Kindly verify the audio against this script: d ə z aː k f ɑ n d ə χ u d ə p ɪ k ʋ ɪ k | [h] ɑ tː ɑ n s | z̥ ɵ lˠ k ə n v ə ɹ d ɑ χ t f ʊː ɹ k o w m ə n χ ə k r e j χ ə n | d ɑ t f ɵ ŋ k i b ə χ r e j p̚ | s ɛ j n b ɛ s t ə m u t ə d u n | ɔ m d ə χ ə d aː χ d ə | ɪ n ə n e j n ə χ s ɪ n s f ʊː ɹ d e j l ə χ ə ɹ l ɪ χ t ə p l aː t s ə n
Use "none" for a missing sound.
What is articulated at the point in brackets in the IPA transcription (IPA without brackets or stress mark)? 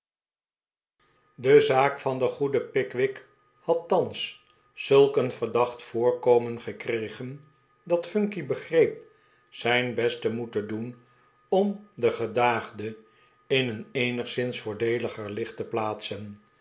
h